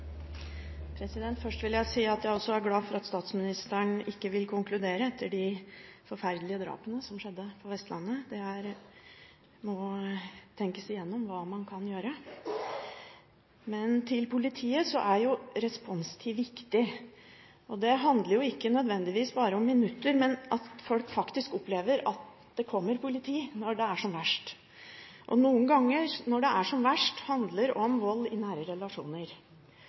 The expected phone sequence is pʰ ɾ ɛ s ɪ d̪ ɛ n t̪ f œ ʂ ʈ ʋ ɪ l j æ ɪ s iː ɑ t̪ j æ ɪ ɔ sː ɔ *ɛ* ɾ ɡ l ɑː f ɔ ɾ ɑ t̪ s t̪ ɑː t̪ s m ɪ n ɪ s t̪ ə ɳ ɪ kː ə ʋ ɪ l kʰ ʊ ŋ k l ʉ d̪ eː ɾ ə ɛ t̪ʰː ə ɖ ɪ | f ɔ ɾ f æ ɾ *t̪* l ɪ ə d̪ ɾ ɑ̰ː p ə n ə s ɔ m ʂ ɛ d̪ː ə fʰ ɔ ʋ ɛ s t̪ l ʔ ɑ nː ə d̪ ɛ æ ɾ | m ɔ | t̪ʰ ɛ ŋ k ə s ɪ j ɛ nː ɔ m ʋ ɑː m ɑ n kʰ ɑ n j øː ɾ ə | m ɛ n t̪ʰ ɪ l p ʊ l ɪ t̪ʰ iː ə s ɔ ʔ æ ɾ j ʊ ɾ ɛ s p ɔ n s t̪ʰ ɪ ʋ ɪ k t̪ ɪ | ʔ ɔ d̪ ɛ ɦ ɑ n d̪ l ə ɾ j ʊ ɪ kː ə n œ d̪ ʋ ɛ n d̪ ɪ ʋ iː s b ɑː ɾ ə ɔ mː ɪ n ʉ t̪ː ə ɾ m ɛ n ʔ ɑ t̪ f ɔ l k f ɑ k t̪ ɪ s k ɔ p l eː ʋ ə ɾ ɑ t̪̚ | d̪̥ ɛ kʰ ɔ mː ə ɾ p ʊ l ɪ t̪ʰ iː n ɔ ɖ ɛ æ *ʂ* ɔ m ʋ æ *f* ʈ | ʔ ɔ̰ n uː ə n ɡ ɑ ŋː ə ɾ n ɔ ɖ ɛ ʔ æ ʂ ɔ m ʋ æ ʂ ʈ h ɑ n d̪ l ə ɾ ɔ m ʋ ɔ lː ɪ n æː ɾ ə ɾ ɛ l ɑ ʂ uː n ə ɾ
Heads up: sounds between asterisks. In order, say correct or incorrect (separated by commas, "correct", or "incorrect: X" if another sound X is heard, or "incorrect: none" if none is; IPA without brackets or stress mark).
incorrect: æ, incorrect: d̪, correct, incorrect: ʂ